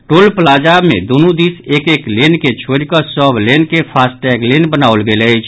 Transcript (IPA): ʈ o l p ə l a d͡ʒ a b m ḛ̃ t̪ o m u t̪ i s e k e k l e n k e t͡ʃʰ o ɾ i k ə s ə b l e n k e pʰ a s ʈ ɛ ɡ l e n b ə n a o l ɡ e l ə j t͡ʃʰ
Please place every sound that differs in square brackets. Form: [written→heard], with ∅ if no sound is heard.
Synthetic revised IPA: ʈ o l p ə l a d͡ʒ a b m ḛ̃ [t̪→d̪] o [m→n] u [t̪→d̪] i s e k e k l e n k e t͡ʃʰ o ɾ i k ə s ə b l e n k e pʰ a s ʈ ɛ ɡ l e n b ə n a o l ɡ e l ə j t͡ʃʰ